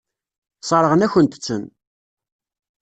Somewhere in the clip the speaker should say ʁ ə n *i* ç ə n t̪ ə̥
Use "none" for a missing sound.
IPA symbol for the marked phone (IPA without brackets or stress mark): æ